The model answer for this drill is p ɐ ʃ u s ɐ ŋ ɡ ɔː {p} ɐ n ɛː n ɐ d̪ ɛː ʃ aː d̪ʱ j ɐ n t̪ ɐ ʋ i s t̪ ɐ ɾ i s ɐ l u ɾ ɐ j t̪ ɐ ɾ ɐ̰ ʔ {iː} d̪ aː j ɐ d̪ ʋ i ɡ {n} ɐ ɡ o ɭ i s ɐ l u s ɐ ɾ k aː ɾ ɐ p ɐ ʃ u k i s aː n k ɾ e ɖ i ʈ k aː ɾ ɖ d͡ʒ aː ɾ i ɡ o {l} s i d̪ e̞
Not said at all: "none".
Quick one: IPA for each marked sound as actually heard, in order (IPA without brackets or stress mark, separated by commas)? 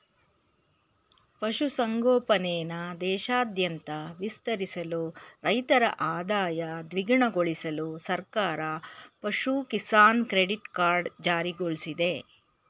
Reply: p, aː, ɳ, ɭ